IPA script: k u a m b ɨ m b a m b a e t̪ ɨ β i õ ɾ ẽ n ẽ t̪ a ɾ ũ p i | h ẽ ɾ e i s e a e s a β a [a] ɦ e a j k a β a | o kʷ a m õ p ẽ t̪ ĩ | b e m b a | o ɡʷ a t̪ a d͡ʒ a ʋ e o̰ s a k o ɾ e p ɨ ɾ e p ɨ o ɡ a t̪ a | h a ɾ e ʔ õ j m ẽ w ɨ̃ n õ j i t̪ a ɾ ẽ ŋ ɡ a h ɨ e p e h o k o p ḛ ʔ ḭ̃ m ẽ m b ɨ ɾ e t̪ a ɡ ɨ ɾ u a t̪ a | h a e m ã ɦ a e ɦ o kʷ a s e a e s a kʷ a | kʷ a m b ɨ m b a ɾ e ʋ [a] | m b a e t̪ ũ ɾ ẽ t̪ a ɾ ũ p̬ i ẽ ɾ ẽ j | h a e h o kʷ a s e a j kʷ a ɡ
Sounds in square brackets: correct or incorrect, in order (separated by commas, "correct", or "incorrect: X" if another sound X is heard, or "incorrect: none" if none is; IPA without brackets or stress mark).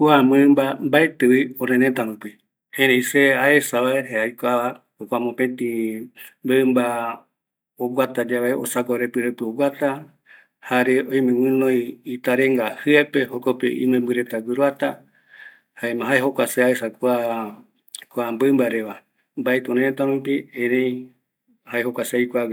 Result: incorrect: e, correct